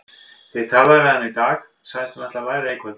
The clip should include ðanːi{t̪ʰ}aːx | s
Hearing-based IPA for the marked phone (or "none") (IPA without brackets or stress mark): t̪